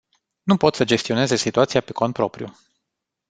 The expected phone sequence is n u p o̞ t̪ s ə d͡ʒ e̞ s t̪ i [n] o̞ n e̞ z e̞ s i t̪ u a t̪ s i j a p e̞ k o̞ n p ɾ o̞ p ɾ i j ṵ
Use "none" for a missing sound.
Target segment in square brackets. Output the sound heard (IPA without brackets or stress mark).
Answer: none